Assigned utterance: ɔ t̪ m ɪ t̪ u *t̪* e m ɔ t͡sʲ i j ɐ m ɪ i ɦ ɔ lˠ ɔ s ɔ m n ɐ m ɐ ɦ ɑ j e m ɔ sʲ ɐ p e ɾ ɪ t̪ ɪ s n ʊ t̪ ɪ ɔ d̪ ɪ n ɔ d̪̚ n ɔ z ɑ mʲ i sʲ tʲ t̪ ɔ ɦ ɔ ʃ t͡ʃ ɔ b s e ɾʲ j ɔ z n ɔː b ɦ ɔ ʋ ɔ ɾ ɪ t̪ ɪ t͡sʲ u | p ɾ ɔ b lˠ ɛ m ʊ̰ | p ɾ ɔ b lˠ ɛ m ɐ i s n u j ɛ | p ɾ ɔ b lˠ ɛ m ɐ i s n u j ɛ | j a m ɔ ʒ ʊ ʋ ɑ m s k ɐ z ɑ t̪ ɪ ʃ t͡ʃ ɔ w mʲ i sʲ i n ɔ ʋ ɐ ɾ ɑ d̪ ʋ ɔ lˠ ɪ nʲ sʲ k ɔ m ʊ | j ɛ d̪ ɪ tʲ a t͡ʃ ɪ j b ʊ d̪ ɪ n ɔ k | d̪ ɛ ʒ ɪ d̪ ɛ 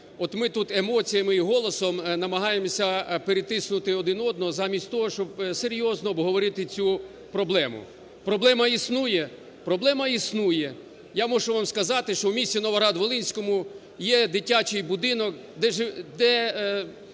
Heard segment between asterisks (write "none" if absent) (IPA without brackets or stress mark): t̪